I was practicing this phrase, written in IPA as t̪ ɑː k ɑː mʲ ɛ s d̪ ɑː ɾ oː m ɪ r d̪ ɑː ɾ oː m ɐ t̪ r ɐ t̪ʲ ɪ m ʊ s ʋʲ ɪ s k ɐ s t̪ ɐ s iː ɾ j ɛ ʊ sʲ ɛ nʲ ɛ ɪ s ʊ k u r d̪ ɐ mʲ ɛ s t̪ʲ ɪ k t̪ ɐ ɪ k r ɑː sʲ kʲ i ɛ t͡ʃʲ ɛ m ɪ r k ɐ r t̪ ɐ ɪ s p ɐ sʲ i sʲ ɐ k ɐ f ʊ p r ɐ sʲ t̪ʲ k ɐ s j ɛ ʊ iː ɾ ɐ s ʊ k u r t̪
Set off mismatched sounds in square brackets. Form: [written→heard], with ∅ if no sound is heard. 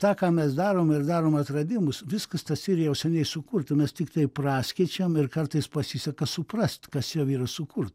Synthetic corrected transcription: t̪ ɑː k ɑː mʲ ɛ s d̪ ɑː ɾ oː m ɪ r d̪ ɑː ɾ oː m ɐ t̪ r ɐ [t̪ʲ→d̪ʲ] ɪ m ʊ s ʋʲ ɪ s k ɐ s t̪ ɐ s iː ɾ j ɛ ʊ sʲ ɛ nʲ ɛ ɪ s ʊ k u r [d̪→t̪] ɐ mʲ ɛ s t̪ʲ ɪ k t̪ ɐ ɪ [k→p] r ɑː sʲ kʲ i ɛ t͡ʃʲ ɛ m ɪ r k ɐ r t̪ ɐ ɪ s p ɐ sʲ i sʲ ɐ k ɐ [f→s] ʊ p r ɐ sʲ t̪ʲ k ɐ s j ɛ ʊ iː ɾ ɐ s ʊ k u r t̪